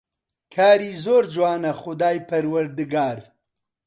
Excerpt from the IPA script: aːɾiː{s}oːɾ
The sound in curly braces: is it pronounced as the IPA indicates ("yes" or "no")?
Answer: no